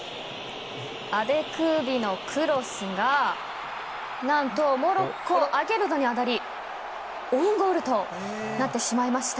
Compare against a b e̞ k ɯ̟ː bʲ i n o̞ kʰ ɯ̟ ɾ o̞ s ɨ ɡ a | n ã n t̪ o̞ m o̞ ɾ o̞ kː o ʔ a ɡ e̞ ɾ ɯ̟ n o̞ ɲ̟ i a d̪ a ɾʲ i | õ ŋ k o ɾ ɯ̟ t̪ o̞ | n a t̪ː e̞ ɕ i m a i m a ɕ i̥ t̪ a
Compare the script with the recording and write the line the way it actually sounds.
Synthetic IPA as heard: a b e̞ k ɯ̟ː bʲ i n o̞ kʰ ɯ̟ ɾ o̞ s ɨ ɡ a | n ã n t̪ o̞ m o̞ ɾ o̞ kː o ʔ a ɡ e̞ ɾ ɯ̟ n o̞ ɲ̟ i a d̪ a ɾʲ i | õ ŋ ɡ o ɾ ɯ̟ t̪ o̞ | n a t̪ː e̞ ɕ i m a i m a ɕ i̥ t̪ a